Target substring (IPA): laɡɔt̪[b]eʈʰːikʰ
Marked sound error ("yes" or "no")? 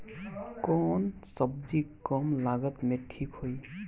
yes